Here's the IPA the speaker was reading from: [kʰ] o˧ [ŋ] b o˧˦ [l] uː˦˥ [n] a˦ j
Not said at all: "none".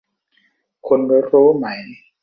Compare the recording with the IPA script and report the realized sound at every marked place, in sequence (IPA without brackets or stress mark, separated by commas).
kʰ, n, ɾ, m